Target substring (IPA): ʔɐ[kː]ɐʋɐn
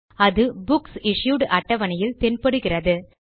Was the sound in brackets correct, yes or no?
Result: no